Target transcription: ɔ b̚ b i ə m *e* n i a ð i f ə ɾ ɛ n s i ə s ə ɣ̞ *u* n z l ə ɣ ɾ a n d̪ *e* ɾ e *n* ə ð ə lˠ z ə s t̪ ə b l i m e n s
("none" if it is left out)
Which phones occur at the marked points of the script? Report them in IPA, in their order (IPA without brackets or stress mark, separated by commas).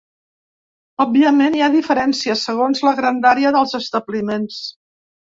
e, o, a, none